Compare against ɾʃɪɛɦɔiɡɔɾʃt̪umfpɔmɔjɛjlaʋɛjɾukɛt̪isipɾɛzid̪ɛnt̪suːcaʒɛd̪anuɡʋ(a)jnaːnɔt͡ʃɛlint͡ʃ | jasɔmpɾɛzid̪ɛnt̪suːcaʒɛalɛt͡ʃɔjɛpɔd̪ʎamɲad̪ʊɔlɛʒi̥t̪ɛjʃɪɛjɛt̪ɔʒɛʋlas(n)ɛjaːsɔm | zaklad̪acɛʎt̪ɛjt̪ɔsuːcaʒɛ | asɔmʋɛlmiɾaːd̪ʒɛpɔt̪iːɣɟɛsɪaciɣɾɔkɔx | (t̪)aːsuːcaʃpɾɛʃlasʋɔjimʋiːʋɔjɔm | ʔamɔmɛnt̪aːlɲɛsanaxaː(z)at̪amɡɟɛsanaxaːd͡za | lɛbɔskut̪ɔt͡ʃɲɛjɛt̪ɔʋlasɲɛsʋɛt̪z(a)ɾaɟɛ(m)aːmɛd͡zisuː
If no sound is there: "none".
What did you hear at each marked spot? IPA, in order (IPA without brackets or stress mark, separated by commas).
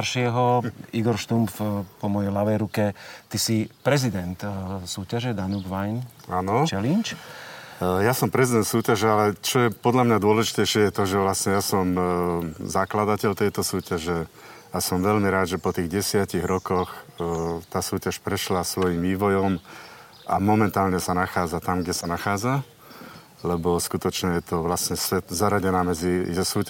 a, ɲ, t̪, d͡z, a, n